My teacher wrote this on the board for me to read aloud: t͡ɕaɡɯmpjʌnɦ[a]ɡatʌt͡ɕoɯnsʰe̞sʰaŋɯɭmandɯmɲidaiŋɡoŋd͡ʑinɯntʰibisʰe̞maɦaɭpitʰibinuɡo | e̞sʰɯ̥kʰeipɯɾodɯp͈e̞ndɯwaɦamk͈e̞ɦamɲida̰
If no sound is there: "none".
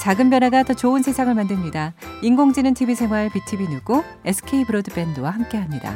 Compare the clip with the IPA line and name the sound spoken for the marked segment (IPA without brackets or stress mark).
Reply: a